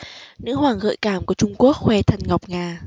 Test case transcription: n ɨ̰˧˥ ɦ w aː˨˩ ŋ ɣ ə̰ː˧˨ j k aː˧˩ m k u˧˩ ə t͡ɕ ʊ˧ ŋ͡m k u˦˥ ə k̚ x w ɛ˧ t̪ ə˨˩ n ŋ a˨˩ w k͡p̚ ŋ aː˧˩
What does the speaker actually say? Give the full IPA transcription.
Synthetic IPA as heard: n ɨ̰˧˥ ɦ w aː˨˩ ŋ ɣ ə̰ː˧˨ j k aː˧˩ m k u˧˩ ə t͡ɕ ʊ˧ ŋ͡m k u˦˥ ə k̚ x w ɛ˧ t̪ʰ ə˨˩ n ŋ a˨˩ w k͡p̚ ŋ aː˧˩